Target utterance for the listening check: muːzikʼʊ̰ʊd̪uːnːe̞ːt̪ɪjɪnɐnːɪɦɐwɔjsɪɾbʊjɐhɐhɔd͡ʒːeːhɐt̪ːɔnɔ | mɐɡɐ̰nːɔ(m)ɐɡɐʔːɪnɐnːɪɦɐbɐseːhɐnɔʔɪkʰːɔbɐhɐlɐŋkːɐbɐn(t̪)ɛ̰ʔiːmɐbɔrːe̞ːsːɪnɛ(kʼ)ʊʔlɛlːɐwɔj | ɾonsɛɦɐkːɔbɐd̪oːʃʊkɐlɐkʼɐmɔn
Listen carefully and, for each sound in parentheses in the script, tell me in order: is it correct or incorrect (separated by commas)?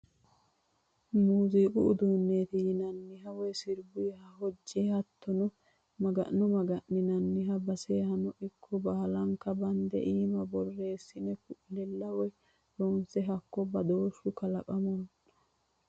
correct, incorrect, incorrect